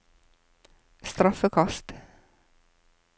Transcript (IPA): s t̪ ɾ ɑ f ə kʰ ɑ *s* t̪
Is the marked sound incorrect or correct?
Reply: correct